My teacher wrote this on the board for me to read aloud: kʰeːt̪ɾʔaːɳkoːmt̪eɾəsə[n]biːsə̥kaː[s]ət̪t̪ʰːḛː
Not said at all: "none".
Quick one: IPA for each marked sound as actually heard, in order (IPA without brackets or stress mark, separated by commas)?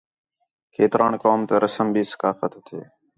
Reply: m, f